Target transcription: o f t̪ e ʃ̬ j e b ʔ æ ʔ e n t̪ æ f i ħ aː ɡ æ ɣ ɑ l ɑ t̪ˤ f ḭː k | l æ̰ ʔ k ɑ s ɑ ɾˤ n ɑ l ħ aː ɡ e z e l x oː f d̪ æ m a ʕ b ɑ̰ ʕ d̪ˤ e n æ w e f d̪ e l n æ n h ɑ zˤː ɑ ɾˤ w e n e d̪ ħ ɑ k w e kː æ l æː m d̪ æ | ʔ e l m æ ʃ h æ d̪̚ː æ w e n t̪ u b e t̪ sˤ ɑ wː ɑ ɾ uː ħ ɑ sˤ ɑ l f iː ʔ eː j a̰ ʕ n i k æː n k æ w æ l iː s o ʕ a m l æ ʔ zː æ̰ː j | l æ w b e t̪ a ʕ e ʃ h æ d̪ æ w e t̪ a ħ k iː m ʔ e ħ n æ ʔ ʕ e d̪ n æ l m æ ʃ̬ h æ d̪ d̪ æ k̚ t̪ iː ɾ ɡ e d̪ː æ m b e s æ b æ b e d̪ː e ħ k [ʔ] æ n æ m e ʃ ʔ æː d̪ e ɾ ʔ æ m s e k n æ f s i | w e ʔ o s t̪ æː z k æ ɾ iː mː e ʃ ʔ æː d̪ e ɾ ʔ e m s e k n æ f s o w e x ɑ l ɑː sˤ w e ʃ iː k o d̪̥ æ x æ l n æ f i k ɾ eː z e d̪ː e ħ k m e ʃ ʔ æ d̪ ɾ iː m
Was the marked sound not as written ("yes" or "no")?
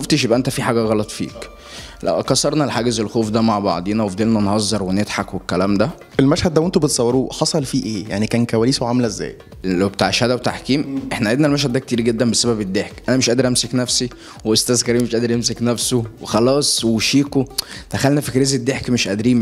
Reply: no